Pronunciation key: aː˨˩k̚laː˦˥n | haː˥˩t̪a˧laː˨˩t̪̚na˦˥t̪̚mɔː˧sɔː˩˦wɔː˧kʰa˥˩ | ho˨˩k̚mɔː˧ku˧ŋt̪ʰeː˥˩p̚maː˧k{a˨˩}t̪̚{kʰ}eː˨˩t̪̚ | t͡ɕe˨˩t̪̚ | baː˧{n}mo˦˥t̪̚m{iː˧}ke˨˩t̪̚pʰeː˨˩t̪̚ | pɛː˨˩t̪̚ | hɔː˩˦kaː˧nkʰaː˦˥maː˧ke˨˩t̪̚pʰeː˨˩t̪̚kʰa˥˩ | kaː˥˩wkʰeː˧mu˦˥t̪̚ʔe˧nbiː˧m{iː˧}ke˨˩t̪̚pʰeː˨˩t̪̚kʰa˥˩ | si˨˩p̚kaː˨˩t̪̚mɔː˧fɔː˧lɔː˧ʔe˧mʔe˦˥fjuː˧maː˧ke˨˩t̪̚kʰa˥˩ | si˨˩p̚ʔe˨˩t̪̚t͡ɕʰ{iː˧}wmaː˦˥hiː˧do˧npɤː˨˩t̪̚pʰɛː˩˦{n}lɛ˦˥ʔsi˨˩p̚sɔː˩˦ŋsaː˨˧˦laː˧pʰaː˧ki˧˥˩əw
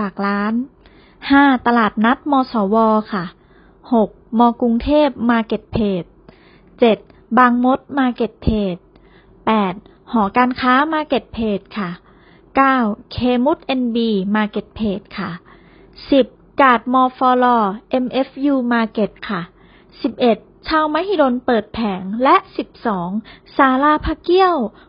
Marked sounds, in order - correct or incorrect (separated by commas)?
incorrect, incorrect, incorrect, incorrect, incorrect, incorrect, incorrect